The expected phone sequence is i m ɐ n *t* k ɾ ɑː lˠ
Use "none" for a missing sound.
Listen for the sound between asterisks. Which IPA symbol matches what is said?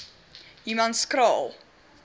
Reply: s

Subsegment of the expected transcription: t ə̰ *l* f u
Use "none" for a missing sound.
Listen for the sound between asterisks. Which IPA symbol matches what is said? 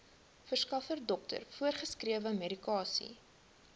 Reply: r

